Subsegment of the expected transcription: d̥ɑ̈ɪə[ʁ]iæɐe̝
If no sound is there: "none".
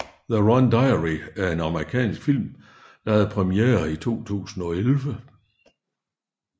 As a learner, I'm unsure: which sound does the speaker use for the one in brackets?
ʁ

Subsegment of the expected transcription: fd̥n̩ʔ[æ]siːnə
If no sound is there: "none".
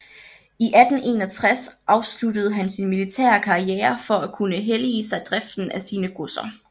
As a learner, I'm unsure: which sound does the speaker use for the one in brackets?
æ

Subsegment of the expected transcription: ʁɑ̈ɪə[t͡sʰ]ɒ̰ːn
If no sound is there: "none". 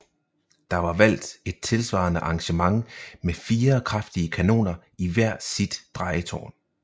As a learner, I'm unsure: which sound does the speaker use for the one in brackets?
t͡sʰ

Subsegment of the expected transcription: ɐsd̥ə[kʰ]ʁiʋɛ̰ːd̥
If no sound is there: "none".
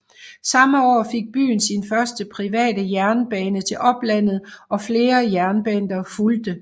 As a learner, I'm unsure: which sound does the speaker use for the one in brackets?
pʰ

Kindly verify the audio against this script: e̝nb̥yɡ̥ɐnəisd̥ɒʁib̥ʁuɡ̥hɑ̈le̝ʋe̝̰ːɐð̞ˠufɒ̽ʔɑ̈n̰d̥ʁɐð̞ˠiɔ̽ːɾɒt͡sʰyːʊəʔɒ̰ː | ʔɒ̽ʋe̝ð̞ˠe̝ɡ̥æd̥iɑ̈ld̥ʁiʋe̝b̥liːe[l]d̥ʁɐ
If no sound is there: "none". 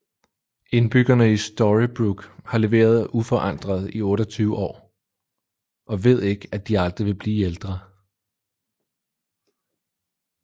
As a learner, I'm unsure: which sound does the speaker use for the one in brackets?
l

